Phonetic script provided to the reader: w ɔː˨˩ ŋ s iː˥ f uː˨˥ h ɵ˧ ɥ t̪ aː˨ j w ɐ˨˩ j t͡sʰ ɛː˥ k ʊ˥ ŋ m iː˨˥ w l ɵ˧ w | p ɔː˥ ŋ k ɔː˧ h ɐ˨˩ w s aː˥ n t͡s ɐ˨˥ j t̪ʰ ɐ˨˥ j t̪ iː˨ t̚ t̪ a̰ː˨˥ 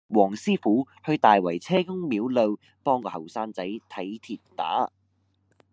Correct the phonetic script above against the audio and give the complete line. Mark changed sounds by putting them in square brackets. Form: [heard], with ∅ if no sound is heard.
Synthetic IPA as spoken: w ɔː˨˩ ŋ s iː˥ f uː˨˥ h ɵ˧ ɥ t̪ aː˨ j w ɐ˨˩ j t͡sʰ ɛː˥ k ʊ˥ ŋ m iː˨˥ w l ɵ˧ w | p ɔː˥ ŋ k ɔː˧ h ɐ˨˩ w s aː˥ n t͡s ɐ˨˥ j t̪ʰ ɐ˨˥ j [t̪ʰ] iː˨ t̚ t̪ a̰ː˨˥